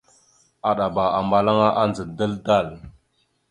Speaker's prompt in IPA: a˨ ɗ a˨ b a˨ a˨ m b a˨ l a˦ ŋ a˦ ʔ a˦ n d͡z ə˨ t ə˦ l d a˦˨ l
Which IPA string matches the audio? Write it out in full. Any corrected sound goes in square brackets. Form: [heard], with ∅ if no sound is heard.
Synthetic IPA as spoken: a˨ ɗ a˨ b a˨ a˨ m b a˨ l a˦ ŋ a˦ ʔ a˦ n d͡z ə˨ [d] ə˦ l d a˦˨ l